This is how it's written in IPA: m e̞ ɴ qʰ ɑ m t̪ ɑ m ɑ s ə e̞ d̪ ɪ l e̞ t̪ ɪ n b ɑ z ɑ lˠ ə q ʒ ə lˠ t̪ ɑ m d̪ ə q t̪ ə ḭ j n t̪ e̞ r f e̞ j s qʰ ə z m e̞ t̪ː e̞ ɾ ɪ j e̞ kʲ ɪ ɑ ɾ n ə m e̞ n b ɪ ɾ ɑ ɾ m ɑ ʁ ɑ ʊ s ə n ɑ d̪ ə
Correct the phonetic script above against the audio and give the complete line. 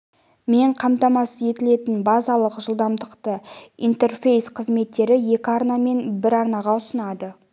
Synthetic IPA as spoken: m e̞ ɴ qʰ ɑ m t̪ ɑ m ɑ s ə e̞ t̪ ɪ l e̞ t̪ ɪ n b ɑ z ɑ lˠ ə q ʒ ə lˠ d̪ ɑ m d̪ ə q t̪ ə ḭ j n t̪ e̞ r f e̞ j s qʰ ə z m e̞ t̪ː e̞ ɾ ɪ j e̞ kʲ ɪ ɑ ɾ n ɑ m e̞ n b ɪ ɾ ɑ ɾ n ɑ ʁ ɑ ʊ s ə n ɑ d̪ ə